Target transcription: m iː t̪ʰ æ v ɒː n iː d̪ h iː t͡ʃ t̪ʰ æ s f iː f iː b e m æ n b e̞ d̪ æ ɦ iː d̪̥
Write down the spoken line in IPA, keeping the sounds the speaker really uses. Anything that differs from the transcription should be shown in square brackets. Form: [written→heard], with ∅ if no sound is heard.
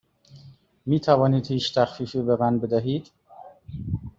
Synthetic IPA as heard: m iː t̪ʰ æ v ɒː n iː d̪ h iː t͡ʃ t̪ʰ æ [s→x] f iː f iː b e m æ n b e̞ d̪ æ ɦ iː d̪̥